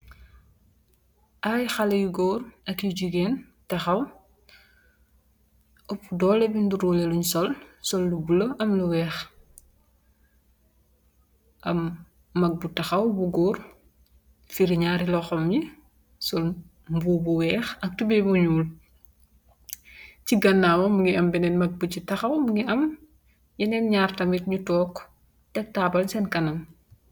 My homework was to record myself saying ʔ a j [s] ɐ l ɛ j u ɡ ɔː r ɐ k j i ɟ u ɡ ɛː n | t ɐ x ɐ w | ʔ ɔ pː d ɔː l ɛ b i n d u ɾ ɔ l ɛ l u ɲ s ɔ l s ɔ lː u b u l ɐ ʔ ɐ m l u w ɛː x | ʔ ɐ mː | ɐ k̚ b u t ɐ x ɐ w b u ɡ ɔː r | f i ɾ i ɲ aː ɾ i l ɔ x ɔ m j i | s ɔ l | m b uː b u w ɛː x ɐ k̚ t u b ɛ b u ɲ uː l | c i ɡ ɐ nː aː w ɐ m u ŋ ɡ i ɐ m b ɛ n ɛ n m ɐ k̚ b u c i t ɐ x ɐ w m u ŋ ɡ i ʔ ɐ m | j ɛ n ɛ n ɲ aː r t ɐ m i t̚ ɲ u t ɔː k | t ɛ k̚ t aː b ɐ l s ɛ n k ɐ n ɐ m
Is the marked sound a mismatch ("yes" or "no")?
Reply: yes